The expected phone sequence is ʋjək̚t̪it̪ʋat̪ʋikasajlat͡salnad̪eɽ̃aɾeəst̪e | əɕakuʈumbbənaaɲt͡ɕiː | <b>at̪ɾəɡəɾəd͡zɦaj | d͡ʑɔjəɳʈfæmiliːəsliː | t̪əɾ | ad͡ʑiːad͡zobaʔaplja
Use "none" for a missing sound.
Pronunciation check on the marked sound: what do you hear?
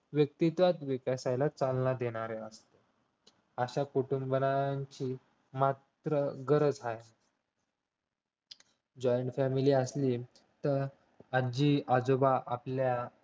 m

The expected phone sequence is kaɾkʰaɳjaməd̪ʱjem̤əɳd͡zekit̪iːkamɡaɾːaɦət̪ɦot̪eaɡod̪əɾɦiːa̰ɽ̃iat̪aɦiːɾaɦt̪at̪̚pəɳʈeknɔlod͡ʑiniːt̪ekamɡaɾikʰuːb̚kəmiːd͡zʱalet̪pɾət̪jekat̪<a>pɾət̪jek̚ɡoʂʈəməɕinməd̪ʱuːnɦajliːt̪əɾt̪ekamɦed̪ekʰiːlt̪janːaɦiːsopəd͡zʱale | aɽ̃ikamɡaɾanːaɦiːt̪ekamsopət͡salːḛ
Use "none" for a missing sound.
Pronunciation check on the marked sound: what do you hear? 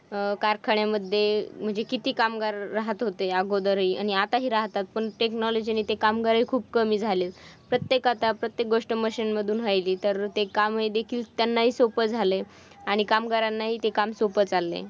a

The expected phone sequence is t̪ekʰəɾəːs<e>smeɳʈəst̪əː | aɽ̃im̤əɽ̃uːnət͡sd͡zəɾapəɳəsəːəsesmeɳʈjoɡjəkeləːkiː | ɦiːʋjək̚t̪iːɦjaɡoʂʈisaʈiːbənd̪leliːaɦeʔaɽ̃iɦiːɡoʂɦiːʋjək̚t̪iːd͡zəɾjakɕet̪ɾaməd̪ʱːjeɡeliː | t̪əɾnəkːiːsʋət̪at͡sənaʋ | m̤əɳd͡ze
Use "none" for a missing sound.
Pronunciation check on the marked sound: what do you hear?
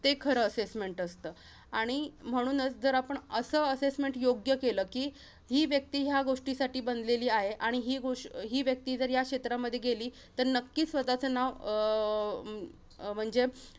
e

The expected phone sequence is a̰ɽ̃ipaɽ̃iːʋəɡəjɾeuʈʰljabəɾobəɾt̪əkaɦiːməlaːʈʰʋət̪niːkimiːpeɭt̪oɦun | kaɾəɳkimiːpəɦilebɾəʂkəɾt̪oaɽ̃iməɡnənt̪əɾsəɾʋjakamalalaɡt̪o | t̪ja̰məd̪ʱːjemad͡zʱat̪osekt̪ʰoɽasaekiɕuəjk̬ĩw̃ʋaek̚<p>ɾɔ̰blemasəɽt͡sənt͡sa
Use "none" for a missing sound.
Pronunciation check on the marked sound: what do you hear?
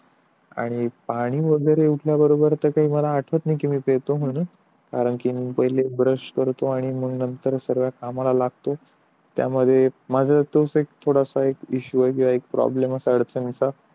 p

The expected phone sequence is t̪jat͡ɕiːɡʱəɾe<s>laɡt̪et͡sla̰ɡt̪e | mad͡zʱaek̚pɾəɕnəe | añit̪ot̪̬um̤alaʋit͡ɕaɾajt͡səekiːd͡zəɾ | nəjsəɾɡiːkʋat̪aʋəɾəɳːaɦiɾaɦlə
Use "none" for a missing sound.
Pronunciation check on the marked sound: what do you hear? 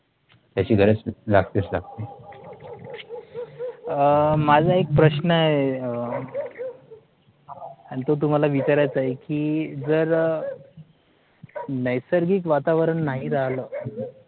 t͡s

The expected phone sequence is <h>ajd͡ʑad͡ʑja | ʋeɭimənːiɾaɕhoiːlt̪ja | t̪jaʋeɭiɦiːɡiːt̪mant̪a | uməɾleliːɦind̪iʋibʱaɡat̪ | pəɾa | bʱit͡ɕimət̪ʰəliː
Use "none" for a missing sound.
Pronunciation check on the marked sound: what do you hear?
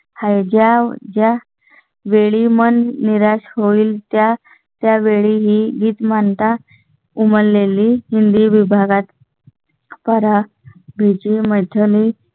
h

